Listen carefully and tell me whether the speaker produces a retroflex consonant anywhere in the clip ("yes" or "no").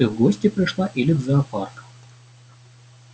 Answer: yes